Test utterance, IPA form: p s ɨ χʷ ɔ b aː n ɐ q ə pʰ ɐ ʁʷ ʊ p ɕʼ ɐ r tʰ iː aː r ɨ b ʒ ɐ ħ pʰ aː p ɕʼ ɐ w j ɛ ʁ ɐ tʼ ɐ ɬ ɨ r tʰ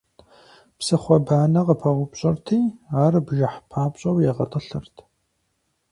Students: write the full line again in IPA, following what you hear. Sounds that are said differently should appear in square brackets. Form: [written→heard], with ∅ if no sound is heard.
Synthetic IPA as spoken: p s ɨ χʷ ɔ b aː n ɐ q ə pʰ ɐ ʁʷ ʊ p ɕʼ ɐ r tʰ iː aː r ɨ b ʒ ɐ ħ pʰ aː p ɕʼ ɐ w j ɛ ʁ ɐ tʼ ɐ ɬ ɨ r tʰ